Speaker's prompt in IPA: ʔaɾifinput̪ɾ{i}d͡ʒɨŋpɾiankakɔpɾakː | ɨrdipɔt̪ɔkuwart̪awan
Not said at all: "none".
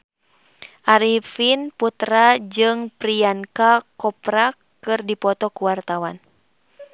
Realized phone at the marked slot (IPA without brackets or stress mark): a